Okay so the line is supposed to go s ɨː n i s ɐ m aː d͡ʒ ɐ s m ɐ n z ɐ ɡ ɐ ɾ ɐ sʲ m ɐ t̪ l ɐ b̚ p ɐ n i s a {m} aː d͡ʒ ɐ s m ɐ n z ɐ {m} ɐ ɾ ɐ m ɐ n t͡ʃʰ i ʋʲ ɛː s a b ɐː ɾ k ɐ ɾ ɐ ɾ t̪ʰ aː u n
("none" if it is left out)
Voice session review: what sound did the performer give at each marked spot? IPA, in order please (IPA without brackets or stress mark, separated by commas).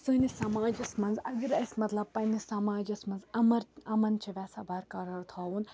m, m